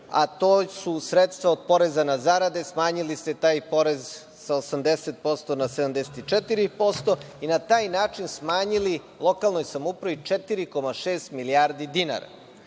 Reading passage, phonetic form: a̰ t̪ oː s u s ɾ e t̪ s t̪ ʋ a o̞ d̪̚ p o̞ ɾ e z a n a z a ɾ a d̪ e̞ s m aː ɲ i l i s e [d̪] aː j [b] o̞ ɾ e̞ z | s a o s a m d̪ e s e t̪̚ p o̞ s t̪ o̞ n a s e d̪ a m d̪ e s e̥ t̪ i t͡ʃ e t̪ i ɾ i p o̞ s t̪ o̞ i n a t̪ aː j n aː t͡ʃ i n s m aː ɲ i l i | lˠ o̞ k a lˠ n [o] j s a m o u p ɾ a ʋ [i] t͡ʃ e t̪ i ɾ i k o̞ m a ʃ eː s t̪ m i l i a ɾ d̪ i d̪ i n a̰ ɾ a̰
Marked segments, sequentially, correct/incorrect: incorrect: t̪, incorrect: p, correct, correct

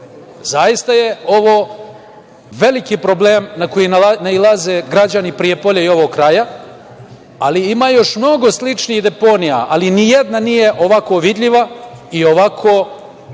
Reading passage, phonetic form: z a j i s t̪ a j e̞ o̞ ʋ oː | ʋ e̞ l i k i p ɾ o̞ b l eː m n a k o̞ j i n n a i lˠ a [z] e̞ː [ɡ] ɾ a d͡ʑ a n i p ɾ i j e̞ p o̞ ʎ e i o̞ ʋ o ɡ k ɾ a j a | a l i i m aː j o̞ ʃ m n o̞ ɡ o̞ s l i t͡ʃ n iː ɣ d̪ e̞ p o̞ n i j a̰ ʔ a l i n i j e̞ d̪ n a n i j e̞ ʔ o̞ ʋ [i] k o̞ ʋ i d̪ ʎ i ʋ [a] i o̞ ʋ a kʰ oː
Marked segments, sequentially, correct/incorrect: correct, correct, incorrect: a, correct

